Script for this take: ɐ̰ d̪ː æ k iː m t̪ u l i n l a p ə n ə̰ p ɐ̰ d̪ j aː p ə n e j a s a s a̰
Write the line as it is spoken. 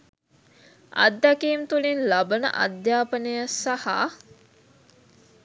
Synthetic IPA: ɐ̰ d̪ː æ k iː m t̪ u l i n l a b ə n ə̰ ʔ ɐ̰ d̪ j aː p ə n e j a s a h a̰